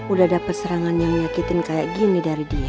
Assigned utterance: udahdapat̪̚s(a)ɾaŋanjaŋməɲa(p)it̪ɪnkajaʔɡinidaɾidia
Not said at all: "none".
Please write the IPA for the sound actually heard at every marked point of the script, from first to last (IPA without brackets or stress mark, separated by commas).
ə, k